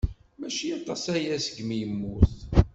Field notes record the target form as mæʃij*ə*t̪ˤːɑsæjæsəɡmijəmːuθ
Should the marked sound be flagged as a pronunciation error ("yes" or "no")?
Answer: yes